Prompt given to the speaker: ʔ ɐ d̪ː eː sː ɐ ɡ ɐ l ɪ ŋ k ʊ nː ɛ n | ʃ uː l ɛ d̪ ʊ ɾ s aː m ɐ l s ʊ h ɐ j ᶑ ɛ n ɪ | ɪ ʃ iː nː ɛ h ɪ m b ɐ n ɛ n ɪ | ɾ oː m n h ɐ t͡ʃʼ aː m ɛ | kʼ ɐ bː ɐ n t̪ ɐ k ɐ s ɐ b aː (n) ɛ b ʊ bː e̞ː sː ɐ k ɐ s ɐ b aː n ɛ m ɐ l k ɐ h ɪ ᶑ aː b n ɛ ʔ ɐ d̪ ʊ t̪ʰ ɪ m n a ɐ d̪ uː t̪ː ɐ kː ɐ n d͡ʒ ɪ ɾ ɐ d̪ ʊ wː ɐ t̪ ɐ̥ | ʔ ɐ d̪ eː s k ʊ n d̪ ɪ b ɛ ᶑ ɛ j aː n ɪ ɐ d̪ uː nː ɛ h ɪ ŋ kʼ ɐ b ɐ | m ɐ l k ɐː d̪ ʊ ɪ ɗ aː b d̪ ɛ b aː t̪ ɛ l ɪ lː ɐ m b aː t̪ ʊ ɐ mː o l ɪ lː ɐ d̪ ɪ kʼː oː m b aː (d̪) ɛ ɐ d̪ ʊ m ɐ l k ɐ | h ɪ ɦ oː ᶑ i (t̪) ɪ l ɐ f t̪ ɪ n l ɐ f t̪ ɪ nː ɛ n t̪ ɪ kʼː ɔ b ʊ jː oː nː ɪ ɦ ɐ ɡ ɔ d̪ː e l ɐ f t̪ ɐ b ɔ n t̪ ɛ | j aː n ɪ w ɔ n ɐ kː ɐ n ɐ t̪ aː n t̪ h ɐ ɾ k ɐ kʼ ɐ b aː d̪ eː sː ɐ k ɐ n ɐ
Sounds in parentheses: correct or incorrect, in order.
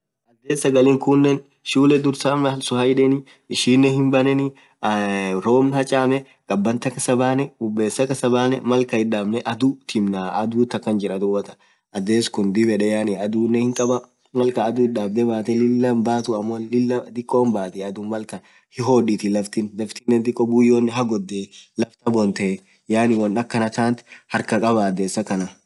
correct, incorrect, correct

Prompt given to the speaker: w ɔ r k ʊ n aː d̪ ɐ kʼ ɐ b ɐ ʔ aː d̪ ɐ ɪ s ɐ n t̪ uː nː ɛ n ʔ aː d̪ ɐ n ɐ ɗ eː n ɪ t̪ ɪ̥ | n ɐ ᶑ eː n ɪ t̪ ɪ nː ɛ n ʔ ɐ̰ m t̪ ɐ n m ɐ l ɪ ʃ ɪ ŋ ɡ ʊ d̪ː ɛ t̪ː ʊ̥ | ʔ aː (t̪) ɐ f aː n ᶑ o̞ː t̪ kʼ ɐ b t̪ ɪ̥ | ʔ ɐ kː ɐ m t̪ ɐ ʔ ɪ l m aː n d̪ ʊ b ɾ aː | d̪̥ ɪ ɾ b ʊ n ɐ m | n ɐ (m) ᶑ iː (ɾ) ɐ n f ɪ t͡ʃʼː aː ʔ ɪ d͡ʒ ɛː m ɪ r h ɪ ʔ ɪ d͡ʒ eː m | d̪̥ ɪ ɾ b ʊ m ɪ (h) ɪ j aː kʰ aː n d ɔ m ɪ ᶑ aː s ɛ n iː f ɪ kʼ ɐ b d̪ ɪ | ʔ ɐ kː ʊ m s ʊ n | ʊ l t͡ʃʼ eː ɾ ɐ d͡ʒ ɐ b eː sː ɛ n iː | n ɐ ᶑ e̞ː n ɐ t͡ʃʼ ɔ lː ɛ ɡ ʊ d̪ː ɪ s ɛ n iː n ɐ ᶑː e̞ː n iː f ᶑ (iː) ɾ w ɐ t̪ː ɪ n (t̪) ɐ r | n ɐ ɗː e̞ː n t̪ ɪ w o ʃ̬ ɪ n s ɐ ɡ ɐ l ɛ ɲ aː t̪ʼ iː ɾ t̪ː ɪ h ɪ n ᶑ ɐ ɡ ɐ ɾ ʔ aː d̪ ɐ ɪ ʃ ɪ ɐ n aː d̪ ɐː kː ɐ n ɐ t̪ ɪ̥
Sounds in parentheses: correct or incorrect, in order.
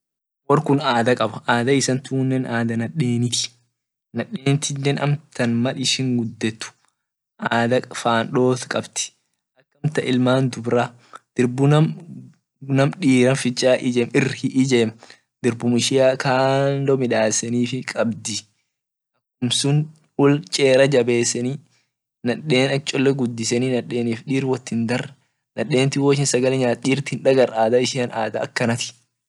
incorrect, correct, correct, incorrect, correct, incorrect

